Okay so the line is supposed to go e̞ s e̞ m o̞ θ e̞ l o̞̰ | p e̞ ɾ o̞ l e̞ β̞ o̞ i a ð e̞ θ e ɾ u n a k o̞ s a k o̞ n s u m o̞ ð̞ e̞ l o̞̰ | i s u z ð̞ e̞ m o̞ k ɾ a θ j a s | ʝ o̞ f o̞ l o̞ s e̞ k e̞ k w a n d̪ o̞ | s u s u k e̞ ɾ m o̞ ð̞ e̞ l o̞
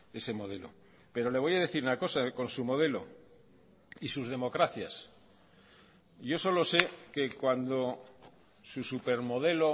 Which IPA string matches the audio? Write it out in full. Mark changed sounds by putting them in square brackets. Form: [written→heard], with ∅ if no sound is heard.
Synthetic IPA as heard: e̞ s e̞ m o̞ [θ→ð] e̞ l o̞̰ | p e̞ ɾ o̞ l e̞ β̞ o̞ [i→j] a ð e̞ θ [e→i] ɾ u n a k o̞ s a k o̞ n s u m o̞ ð̞ e̞ l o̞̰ | i s u z ð̞ e̞ m o̞ k ɾ a θ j a s | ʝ o̞ [f→s] o̞ l o̞ s e̞ k e̞ k w a n d̪ o̞ | s u s u [k→p] e̞ ɾ m o̞ ð̞ e̞ l o̞